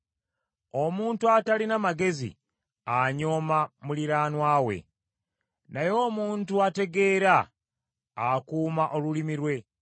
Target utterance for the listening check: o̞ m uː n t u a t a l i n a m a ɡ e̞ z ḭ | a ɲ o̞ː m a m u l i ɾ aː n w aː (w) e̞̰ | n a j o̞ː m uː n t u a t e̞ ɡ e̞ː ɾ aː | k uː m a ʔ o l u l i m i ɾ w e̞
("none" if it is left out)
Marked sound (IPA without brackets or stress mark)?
w